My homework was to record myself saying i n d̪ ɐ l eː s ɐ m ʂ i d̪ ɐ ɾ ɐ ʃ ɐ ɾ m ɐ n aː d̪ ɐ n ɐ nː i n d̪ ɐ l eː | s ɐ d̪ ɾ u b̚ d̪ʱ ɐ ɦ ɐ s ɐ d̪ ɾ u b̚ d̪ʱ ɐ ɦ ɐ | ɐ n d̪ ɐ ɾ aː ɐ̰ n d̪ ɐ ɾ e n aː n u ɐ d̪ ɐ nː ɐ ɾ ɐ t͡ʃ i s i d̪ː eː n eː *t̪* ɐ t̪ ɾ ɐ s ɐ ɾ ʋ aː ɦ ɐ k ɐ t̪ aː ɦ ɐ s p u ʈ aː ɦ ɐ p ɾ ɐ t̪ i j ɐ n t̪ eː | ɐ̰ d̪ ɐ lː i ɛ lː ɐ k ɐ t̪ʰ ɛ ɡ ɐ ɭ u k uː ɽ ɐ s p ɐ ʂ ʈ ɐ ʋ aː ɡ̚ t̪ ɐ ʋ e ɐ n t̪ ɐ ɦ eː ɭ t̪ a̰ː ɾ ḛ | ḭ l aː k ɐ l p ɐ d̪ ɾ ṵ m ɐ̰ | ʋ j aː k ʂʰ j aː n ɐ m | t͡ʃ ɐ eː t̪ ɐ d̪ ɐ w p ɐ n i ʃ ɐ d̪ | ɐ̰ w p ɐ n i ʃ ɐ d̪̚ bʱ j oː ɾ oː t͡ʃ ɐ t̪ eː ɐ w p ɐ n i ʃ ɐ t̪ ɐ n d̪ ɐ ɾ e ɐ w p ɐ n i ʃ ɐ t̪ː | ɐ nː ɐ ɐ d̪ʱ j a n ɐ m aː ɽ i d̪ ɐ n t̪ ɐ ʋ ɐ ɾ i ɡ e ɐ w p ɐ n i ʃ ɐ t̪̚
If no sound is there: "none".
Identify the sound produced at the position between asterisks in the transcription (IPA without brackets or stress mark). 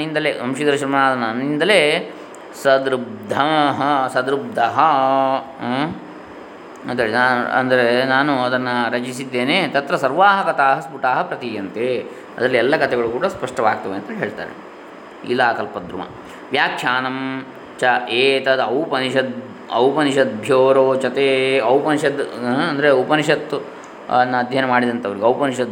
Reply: t̪